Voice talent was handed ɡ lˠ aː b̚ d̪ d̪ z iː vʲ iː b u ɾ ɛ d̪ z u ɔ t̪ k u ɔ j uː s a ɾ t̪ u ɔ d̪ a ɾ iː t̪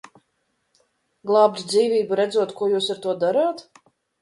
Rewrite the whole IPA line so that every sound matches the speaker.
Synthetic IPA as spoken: ɡ lˠ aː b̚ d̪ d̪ z iː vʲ iː b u ɾ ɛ d̪ z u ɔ t̪ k u ɔ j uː s a ɾ t̪ u ɔ d̪ a ɾ aː t̪